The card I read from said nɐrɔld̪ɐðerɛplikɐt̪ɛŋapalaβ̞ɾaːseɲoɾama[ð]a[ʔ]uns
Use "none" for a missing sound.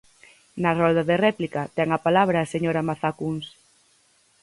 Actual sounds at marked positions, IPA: θ, k

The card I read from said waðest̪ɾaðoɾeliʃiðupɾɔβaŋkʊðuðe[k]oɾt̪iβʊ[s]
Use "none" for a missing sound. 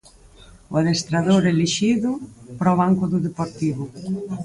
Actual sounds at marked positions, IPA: p, none

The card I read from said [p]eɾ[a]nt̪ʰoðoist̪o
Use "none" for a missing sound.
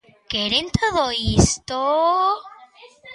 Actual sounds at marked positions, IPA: k, e

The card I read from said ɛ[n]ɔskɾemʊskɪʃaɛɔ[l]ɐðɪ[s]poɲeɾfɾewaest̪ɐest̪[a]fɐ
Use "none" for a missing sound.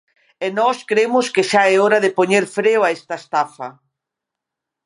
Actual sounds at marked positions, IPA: n, ɾ, none, a

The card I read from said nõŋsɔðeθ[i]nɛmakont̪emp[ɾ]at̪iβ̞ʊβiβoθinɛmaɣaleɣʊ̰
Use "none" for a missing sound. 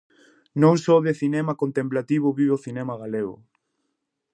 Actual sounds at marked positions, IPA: i, l

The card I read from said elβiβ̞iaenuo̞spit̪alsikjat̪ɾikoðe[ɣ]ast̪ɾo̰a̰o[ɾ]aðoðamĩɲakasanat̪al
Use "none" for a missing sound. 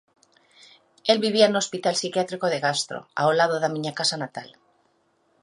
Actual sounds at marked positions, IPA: ɣ, l

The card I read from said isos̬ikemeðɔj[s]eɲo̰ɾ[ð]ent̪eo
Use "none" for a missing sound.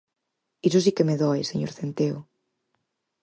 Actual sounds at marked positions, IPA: s, θ

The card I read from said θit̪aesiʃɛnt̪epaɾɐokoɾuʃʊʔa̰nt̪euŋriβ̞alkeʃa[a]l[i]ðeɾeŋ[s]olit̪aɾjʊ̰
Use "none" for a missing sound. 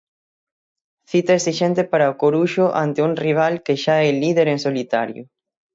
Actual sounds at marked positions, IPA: ɛ, i, s

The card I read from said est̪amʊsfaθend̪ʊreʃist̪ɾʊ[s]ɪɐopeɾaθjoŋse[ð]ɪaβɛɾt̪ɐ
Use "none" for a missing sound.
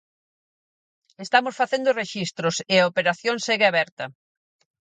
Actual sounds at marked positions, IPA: s, ɣ

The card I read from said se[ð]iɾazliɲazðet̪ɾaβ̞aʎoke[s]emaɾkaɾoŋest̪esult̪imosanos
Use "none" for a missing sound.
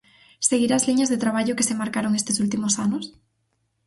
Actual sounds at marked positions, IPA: ɣ, s

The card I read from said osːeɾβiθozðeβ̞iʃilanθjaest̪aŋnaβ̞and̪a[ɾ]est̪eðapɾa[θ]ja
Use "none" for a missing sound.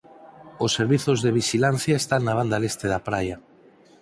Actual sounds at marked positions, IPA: l, none

